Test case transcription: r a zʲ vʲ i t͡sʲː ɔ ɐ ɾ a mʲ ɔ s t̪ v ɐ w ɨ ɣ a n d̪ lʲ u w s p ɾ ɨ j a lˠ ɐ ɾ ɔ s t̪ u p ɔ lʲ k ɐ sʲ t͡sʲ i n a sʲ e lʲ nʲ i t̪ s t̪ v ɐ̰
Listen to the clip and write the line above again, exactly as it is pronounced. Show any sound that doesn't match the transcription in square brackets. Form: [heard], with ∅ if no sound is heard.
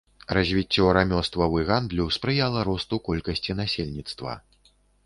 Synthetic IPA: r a zʲ vʲ i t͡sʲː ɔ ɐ ɾ a mʲ ɔ s t̪ v ɐ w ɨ ɣ a n d̪ lʲ u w s p ɾ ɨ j a lˠ ɐ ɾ ɔ s t̪ u [k] ɔ lʲ k ɐ sʲ t͡sʲ i n a sʲ e lʲ nʲ i t̪ s t̪ v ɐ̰